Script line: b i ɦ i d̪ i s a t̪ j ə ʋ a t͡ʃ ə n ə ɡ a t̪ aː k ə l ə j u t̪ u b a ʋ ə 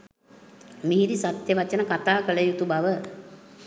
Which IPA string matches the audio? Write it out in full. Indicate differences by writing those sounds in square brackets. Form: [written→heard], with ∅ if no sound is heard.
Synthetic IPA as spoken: [b→m] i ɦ i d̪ i s a t̪ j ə ʋ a t͡ʃ ə n ə [ɡ→k] a t̪ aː k ə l ə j u t̪ u b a ʋ ə